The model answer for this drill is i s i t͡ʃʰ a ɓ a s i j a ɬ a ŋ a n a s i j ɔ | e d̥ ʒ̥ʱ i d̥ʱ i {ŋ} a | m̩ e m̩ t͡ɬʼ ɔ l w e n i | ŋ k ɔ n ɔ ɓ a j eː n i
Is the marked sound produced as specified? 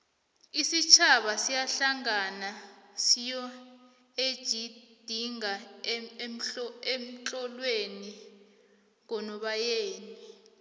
yes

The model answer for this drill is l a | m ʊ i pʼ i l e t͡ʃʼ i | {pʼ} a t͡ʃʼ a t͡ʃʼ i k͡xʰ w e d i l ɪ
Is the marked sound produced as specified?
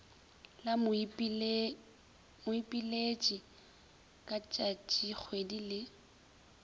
no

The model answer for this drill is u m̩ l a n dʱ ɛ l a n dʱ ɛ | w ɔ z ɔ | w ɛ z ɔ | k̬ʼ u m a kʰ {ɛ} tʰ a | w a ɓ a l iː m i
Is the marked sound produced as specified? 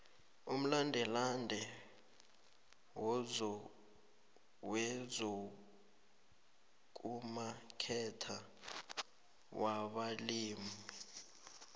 yes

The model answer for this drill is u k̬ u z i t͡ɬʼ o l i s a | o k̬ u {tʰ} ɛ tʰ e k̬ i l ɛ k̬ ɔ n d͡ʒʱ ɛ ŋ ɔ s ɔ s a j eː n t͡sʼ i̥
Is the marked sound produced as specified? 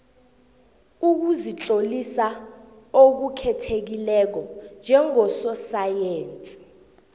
no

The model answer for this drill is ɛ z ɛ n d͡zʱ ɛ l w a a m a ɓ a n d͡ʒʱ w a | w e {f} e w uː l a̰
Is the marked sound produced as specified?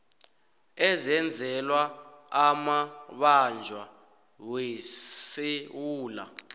no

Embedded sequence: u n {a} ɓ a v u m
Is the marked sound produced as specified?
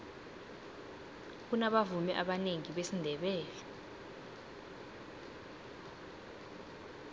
yes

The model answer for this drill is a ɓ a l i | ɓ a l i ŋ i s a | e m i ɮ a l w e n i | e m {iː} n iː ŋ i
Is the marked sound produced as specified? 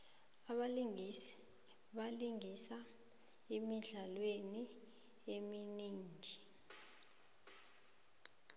no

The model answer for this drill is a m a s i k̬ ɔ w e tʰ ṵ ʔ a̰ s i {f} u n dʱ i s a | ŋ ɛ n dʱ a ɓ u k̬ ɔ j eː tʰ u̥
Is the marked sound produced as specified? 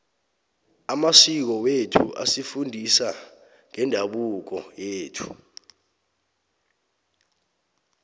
yes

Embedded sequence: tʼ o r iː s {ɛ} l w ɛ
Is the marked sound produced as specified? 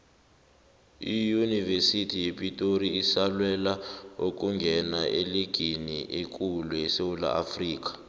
no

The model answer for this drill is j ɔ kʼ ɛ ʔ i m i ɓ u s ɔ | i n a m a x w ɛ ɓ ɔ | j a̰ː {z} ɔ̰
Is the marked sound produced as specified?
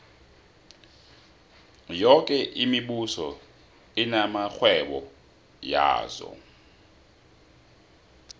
yes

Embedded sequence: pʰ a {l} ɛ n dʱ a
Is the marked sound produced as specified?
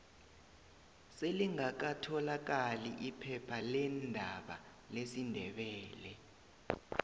yes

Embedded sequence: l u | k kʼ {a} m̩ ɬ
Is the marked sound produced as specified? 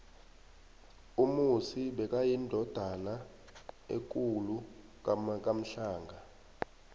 yes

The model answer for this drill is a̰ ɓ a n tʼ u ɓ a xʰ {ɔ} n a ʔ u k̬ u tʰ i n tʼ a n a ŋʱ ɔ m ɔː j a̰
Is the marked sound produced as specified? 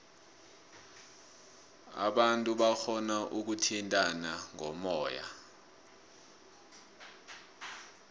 yes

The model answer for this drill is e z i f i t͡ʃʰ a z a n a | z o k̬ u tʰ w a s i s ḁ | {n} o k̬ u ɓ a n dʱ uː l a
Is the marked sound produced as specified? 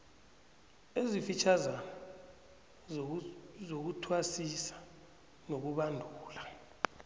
yes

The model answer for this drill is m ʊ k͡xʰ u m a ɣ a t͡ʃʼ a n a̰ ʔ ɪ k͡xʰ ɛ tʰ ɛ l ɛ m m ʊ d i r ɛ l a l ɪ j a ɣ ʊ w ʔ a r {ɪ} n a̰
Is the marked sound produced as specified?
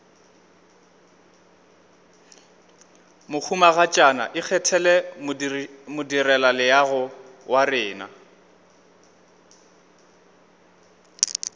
no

